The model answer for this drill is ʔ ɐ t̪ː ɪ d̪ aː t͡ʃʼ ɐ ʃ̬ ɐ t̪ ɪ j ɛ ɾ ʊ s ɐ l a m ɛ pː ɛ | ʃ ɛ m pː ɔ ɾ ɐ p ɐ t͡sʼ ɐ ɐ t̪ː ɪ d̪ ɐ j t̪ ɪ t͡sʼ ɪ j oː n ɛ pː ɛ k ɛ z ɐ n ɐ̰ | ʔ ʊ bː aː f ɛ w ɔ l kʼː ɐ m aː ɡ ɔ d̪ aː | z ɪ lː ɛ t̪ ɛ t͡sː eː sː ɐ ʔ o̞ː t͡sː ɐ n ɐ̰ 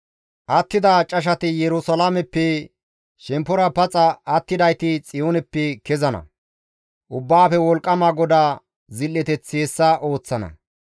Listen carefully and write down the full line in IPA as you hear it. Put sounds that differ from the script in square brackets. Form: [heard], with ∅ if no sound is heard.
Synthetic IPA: ʔ ɐ t̪ː ɪ d̪ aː t͡ʃʼ ɐ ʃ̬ ɐ t̪ ɪ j ɛ ɾ ʊ s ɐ l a m ɛ pː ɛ | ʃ ɛ m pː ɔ ɾ ɐ p ɐ t͡sʼ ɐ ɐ t̪ː ɪ d̪ ɐ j t̪ ɪ t͡sʼ ɪ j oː n ɛ pː ɛ k ɛ z ɐ n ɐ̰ | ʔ ʊ bː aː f ɛ w ɔ l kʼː ɐ m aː ɡ ɔ d̪ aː | z ɪ lː ɛ t̪ ɛ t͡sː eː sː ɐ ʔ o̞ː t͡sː ɐ n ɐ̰